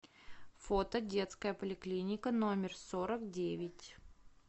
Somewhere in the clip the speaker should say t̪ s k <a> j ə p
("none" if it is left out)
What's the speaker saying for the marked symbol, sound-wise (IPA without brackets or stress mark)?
ə